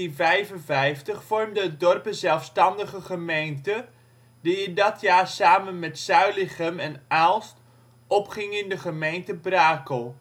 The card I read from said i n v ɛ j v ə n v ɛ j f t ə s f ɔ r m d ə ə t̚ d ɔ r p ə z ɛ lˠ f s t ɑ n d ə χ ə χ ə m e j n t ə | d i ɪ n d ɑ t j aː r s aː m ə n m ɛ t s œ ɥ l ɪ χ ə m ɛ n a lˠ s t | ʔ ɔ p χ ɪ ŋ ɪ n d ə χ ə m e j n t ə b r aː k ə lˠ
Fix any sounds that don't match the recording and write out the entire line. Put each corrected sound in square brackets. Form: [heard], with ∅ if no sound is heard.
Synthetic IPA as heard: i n v ɛ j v ə n v ɛ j f t ə [χ] f ɔ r m d ə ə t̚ d ɔ r p ə z ɛ lˠ f s t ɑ n d ə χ ə χ ə m e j n t ə | d i ɪ n d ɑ t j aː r s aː m ə n m ɛ t s œ ɥ l ɪ χ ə m ɛ n a lˠ s t | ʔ ɔ p χ ɪ ŋ ɪ n d ə χ ə m e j n t ə b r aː k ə lˠ